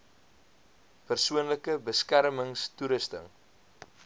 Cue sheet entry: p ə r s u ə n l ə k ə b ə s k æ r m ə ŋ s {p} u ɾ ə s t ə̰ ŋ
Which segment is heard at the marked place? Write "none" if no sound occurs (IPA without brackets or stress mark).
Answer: t